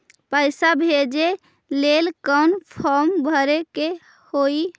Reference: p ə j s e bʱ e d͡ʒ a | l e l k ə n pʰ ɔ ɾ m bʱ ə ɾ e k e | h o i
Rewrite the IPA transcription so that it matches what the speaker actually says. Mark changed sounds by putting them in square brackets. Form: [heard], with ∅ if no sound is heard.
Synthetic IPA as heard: p ə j s [a] bʱ e d͡ʒ [e] | l e l k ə n pʰ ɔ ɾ m bʱ ə ɾ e k e | h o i

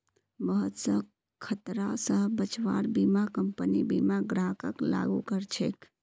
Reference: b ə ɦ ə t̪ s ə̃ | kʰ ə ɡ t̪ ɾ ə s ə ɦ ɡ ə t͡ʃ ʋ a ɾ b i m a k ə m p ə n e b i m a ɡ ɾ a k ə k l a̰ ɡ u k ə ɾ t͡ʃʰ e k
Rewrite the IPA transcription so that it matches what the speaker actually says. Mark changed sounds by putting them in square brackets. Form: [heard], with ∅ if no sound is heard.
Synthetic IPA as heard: b ə ɦ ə t̪ s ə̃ | kʰ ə [∅] t̪ ɾ [a] s ə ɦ [b] ə t͡ʃ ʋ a ɾ b i m a k ə m p ə n [i] b i m a ɡ ɾ a k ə k l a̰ ɡ u k ə ɾ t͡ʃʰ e k

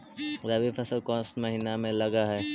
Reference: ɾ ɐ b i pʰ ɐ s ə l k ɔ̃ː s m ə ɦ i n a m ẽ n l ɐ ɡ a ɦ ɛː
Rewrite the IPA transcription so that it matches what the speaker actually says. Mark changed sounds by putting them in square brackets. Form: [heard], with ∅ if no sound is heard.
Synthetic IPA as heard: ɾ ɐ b i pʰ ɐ s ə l k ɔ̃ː s m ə ɦ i n a m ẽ [∅] l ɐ ɡ a ɦ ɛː

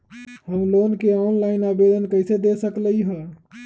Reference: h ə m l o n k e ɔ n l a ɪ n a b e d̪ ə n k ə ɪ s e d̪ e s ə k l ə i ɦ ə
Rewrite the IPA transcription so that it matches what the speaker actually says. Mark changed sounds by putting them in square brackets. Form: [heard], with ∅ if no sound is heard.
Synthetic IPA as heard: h ə m l o n k e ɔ n l a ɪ n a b e d̪ ə n k ə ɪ s e d̪ e s ə k l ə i ɦ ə

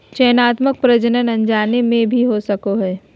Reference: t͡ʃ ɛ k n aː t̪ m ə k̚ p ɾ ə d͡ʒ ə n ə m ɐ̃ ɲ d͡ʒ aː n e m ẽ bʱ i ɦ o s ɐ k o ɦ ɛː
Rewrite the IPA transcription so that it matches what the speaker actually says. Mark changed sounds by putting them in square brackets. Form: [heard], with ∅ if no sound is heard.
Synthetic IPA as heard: t͡ʃ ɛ [∅] n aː t̪ m ə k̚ p ɾ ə d͡ʒ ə n ə [n] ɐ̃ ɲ d͡ʒ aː n e m ẽ bʱ i ɦ o s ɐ k o ɦ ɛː

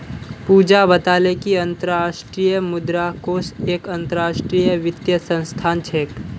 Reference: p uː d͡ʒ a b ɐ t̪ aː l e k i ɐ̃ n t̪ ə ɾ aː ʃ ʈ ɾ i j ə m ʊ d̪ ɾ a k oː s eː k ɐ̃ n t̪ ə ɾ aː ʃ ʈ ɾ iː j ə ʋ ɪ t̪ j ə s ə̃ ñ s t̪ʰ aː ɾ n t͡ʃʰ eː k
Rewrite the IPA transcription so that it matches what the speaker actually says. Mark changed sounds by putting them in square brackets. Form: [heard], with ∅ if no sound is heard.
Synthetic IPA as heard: p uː d͡ʒ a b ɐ t̪ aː l e k i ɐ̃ n t̪ ə ɾ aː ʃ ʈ ɾ i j ə m ʊ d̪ ɾ a k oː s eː k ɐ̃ n t̪ ə ɾ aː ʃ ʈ ɾ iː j ə ʋ ɪ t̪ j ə s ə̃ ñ s t̪ʰ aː [∅] n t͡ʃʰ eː k

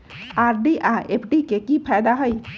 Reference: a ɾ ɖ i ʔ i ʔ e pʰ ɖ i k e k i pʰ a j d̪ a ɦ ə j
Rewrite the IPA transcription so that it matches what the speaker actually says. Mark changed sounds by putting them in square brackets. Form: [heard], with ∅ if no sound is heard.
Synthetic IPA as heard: a ɾ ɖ i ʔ [a] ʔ e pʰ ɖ i k e k i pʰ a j d̪ a ɦ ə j

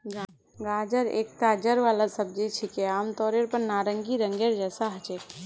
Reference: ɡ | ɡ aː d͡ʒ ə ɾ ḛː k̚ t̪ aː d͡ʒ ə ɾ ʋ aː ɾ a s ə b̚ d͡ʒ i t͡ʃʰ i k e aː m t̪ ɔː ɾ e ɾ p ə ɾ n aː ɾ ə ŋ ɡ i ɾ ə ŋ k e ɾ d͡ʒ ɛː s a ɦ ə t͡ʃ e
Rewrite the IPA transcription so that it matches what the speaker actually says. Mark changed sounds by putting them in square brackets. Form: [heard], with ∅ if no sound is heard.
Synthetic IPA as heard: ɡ | ɡ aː d͡ʒ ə ɾ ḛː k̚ t̪ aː d͡ʒ ə ɾ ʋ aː [l] a s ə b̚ d͡ʒ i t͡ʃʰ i k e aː m t̪ ɔː ɾ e ɾ p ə ɾ n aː ɾ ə ŋ ɡ i ɾ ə ŋ [ɡ] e ɾ d͡ʒ ɛː s a ɦ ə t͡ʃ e

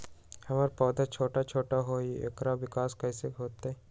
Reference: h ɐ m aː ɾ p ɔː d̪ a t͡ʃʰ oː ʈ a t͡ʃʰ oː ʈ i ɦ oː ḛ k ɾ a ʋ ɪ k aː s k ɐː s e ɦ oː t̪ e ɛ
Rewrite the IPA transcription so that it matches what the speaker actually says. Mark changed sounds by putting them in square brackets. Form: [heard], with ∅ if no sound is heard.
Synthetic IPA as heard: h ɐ m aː ɾ p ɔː d̪ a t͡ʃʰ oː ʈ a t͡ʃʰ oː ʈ [a] ɦ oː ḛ k ɾ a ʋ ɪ k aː s k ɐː s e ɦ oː t̪ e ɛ

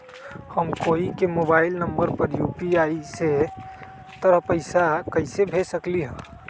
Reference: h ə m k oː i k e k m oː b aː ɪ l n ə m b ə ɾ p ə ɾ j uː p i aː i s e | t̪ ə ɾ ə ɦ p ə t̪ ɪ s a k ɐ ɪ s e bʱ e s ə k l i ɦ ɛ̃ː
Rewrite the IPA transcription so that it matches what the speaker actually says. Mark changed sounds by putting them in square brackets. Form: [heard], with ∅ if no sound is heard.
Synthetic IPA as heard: h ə m k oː i k e [∅] m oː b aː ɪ l n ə m b ə ɾ p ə ɾ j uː p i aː i s e | t̪ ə ɾ ə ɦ p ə [∅] ɪ s a k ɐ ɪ s e bʱ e s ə k l i ɦ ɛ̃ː

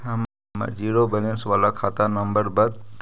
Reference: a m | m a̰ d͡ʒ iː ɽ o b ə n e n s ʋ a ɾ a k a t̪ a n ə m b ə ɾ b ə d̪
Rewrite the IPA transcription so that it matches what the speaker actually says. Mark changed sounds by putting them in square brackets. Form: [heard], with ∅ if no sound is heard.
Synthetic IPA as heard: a m | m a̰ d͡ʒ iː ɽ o b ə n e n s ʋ a [l] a [kʰ] a t̪ a n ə m b ə ɾ b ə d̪

